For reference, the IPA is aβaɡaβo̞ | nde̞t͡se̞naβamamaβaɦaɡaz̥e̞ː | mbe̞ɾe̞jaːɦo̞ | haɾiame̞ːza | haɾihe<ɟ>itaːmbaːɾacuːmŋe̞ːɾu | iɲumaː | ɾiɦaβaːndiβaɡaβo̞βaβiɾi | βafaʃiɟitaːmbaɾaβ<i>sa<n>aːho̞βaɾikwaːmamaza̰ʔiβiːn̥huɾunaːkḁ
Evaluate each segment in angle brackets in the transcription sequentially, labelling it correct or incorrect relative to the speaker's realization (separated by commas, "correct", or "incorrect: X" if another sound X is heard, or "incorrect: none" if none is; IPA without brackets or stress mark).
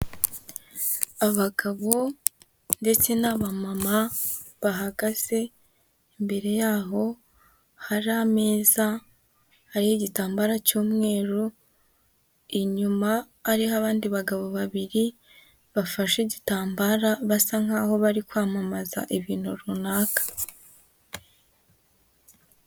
correct, incorrect: a, incorrect: ŋ